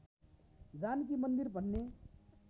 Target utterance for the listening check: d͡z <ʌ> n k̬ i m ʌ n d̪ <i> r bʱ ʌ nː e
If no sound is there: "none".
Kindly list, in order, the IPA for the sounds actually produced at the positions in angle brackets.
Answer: a, i

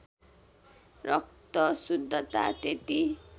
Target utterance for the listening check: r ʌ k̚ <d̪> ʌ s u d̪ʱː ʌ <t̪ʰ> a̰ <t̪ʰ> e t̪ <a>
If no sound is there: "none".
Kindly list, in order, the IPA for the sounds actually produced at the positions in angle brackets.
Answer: t̪, t̪, t̪, i

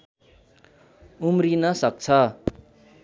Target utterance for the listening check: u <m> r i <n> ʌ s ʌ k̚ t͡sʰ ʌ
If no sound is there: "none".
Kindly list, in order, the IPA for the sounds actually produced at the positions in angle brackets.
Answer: m, n

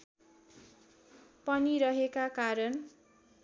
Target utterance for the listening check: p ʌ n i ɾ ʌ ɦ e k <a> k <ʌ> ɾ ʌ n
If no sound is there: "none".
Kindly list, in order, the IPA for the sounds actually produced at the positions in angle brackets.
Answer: a, a

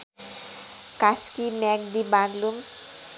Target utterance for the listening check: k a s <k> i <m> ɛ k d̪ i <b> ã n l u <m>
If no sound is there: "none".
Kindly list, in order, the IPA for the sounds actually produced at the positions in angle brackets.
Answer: k, m, b, m

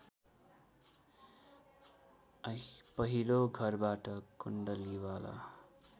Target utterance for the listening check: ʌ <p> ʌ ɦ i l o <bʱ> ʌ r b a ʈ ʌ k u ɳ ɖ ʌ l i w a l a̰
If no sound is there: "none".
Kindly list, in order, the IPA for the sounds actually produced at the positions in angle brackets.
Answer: p, ɡʱ

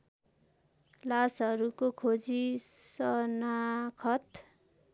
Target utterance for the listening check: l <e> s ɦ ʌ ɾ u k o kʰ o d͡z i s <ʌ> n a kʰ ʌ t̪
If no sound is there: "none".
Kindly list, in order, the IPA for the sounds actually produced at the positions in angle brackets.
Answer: a, ʌ

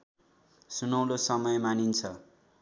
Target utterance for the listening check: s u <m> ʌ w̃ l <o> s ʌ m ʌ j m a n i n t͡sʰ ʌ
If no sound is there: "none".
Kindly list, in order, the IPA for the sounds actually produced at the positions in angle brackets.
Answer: n, o

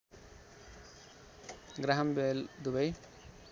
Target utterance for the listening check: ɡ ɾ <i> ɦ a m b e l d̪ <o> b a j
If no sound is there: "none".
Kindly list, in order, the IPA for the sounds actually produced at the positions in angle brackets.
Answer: a, u

